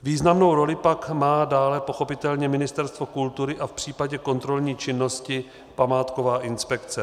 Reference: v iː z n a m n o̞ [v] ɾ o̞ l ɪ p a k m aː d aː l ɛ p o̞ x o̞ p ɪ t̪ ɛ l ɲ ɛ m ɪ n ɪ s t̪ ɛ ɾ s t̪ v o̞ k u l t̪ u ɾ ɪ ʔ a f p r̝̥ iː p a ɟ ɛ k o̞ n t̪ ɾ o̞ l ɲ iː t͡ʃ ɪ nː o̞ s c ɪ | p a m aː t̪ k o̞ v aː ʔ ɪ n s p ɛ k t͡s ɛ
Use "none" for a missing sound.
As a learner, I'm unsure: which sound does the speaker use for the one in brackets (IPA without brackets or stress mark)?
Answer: w